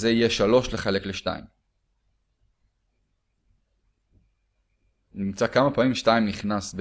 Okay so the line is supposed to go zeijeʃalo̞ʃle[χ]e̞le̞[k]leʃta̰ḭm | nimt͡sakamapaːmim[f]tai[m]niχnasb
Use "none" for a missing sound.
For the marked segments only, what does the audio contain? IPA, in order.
χ, k, ʃ, m

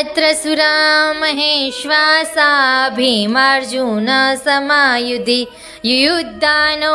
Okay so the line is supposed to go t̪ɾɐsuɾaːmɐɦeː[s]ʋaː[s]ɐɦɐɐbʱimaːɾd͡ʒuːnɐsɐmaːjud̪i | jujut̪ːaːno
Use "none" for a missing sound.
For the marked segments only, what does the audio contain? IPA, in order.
ʃ, s

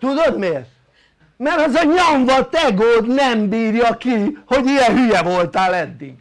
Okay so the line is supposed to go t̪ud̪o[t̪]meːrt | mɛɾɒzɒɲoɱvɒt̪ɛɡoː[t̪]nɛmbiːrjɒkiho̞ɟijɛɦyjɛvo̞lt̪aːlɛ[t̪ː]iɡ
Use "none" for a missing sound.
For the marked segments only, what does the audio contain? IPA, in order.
d̪, d̪, d̪ː

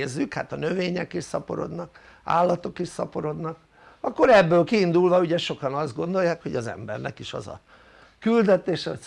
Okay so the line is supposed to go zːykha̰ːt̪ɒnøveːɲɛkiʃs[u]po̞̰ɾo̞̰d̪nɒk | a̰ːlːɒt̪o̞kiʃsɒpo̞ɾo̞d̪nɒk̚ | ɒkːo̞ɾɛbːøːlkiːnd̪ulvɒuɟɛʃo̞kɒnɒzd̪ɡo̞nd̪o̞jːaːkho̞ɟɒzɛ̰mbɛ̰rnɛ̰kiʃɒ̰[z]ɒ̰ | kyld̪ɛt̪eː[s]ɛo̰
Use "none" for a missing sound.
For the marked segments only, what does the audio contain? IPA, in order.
ɒ, z, ʃ

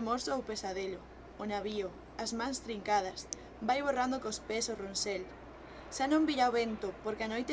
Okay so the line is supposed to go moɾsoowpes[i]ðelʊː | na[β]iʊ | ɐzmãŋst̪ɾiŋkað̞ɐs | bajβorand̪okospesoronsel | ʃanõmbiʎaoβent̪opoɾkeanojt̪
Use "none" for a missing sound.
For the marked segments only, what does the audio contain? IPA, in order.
a, β

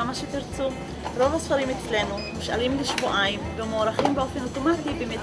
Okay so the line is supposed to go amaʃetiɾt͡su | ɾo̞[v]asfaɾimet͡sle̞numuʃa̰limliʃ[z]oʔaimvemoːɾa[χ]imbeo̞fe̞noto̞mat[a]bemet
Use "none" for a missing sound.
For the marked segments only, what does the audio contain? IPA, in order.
v, v, χ, i

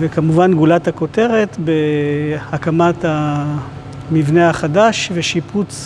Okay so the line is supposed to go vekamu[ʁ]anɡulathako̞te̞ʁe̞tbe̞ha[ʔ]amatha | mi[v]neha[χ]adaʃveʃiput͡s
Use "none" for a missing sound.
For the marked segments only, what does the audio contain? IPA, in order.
v, k, v, χ

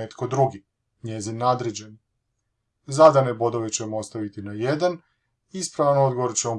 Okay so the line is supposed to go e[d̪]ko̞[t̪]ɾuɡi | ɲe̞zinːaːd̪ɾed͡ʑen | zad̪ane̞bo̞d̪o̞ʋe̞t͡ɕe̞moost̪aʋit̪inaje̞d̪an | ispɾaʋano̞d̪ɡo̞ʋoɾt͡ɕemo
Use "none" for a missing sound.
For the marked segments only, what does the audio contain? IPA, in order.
t̪, d̪

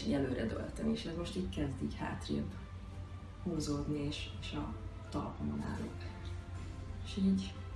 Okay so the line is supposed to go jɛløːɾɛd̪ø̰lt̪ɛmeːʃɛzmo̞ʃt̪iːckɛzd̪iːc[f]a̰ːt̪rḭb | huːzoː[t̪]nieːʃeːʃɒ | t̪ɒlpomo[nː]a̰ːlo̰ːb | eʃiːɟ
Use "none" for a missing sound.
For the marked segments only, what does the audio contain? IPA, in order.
h, d̪, n

